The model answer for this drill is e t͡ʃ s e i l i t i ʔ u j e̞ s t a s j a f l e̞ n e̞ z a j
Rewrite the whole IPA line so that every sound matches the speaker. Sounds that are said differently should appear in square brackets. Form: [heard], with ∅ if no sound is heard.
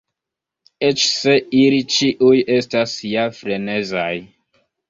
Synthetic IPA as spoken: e t͡ʃ s e i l i [t͡ʃ] i ʔ u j e̞ s t a s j a f [ɾ] e̞ n e̞ z a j